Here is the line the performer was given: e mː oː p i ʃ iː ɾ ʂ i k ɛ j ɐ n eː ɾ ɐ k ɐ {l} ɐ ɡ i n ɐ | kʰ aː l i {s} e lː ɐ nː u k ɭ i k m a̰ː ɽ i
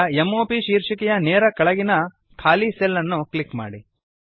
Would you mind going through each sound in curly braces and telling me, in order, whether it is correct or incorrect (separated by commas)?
incorrect, correct